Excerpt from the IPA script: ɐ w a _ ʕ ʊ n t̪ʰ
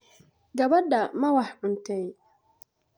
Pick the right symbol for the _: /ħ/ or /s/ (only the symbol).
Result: ħ